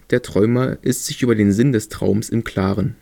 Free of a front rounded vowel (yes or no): no